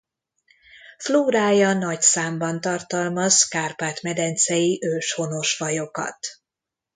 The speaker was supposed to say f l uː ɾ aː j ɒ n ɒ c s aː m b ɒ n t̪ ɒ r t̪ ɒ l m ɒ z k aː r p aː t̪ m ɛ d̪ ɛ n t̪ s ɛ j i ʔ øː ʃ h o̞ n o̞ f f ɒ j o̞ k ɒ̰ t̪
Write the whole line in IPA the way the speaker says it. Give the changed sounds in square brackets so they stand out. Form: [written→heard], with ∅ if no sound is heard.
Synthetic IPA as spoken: f l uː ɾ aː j ɒ n ɒ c s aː m b ɒ n t̪ ɒ r t̪ ɒ l m ɒ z k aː r p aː t̪ m ɛ d̪ ɛ n t̪ s ɛ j i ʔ øː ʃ h o̞ n o̞ [f→ʃ] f ɒ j o̞ k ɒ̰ t̪